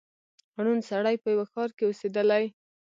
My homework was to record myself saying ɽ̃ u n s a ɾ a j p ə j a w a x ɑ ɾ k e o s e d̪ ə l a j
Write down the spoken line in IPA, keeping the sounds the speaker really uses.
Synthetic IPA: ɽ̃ u n s a ɽ a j p ə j a w a x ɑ ɾ k e o s e d̪ ə l a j